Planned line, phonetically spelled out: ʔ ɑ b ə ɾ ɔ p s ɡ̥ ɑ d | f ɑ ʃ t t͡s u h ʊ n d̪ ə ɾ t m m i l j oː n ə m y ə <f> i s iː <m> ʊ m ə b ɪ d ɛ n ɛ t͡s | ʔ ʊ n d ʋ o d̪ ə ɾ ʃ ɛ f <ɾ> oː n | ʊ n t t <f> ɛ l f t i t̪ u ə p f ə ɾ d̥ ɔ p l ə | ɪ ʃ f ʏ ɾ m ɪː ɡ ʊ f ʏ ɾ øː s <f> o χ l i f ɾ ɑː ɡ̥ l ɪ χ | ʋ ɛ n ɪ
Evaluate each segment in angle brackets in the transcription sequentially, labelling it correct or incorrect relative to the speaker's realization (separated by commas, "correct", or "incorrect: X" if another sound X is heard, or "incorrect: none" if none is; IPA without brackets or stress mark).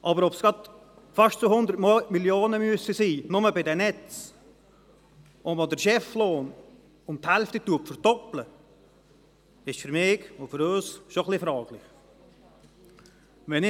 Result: incorrect: s, incorrect: n, incorrect: l, incorrect: h, incorrect: ʃ